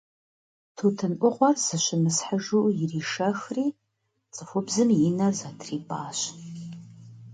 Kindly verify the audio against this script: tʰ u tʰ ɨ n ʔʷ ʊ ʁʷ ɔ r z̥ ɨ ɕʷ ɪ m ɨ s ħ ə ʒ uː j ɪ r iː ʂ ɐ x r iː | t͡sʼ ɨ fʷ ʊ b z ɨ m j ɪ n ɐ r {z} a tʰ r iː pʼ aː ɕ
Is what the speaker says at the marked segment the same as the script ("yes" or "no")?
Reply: yes